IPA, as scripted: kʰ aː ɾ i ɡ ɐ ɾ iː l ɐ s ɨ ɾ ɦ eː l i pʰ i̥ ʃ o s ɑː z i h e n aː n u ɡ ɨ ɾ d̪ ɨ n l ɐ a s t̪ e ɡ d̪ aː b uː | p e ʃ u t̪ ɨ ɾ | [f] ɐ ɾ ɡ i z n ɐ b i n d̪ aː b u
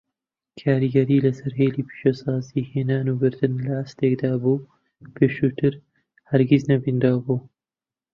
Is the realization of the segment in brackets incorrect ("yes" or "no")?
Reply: yes